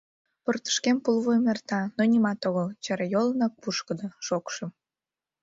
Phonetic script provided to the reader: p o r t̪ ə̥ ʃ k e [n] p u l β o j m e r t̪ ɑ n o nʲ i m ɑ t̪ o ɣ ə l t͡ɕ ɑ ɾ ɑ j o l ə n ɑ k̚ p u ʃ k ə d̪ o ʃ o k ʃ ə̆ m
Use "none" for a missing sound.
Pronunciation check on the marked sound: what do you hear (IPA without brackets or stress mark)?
m